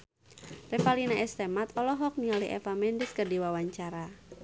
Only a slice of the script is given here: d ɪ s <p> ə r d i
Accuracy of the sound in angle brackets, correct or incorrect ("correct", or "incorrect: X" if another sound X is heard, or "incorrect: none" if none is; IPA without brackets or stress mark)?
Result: incorrect: k